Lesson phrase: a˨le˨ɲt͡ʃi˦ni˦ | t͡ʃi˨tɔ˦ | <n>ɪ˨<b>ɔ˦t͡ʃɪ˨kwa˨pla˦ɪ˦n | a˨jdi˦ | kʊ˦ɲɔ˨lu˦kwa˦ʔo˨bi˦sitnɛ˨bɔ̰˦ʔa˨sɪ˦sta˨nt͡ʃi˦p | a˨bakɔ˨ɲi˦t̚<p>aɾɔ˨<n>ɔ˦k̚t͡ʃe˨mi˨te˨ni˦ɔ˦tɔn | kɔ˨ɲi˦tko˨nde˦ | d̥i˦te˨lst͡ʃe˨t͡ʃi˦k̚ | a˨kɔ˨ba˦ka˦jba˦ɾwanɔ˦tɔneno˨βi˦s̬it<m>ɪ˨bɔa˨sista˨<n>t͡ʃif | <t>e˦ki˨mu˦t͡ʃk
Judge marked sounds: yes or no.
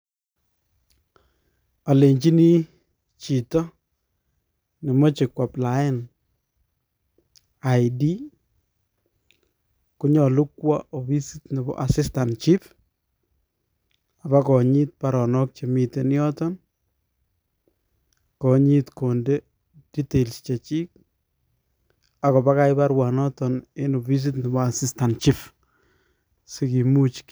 yes, no, yes, yes, no, yes, no

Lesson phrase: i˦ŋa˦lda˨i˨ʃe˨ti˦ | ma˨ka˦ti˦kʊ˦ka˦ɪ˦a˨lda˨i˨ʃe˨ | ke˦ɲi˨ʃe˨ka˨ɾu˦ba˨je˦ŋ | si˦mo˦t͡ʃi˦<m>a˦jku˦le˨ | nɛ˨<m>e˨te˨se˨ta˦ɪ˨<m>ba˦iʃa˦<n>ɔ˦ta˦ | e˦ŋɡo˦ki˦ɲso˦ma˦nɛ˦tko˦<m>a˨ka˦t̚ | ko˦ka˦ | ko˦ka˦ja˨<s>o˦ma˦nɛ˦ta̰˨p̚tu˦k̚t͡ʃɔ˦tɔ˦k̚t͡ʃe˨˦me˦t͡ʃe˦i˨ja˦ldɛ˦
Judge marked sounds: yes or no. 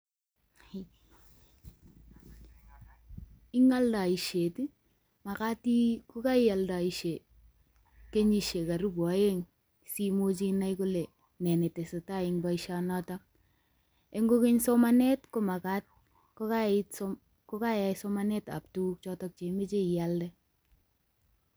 no, no, no, yes, yes, yes

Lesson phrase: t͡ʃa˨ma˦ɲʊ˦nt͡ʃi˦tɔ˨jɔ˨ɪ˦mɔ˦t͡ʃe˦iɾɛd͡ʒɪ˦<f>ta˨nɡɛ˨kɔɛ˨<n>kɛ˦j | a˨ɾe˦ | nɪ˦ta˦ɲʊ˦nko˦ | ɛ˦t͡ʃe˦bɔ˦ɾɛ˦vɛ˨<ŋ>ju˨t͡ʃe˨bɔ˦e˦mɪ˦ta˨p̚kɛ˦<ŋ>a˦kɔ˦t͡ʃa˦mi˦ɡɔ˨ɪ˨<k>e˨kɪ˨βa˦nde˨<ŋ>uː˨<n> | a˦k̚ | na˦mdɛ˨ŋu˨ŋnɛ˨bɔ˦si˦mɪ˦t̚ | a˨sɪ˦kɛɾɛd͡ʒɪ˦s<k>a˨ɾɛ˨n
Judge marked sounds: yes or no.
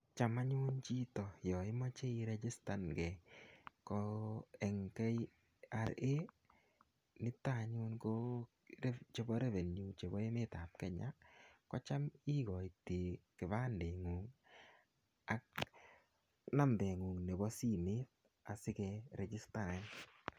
no, no, no, no, no, yes, no, no

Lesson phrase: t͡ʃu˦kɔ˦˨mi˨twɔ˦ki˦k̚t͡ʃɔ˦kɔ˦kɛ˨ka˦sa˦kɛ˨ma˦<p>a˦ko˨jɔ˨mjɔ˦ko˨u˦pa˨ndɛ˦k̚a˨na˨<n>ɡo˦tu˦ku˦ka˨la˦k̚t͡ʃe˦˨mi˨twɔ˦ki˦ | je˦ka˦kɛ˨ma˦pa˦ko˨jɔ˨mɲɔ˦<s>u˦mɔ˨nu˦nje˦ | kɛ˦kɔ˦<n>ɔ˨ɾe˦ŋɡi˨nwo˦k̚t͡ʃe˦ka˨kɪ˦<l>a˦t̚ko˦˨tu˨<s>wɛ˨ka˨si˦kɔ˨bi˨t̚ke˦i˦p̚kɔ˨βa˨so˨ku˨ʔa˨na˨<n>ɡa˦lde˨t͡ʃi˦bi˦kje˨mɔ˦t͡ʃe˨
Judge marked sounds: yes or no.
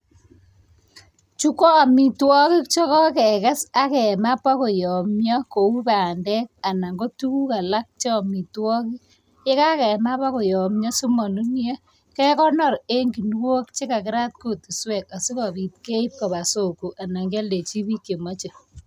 yes, no, yes, yes, no, yes, no

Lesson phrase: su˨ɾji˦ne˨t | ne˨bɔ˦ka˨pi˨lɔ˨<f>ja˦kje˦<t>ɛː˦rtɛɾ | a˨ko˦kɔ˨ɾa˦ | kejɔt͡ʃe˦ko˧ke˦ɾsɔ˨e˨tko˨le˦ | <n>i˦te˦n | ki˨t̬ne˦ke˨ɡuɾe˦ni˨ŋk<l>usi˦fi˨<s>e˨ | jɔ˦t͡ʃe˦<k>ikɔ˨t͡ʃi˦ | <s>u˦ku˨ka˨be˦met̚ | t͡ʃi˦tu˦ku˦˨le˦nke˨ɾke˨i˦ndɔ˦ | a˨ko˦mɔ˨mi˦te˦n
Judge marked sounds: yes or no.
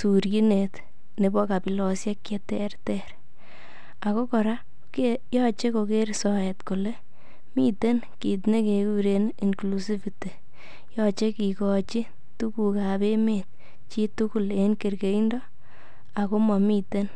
no, yes, no, yes, no, yes, no

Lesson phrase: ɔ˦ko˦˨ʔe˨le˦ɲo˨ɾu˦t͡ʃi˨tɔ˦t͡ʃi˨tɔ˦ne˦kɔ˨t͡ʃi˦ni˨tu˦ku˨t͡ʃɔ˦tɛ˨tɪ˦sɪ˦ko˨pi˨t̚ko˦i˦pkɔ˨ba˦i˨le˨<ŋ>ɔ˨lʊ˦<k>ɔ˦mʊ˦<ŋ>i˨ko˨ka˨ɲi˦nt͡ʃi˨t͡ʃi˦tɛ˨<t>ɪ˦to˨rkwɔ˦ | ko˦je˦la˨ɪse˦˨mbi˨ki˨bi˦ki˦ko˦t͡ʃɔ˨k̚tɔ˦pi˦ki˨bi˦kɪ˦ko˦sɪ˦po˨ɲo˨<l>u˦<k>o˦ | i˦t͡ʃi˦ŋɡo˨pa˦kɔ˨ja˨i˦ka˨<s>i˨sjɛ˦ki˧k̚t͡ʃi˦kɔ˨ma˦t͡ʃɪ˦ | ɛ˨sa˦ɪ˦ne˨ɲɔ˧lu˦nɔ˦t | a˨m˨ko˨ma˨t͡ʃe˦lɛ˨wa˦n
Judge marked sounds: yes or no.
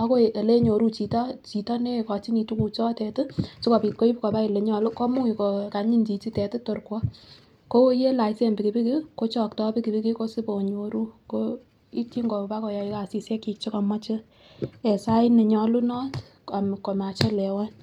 no, yes, yes, yes, no, yes, yes

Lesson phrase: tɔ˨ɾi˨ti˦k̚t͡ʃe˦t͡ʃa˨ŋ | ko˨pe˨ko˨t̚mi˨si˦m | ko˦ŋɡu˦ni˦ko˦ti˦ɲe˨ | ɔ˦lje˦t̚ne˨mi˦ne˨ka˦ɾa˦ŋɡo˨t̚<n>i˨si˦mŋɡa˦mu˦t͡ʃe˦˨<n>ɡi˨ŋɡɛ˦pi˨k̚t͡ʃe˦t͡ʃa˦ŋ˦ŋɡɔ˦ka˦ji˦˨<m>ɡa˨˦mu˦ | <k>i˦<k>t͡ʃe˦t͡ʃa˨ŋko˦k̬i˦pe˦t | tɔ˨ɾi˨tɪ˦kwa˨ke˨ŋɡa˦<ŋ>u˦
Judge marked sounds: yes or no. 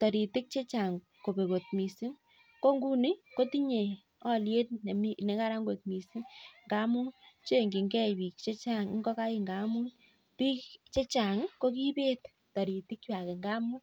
no, no, no, no, yes, no

